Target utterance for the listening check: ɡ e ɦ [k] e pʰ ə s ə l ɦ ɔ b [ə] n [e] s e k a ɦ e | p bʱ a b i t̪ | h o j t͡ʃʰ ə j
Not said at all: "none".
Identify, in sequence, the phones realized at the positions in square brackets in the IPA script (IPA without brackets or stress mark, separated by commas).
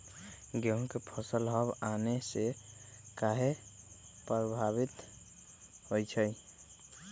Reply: k, a, e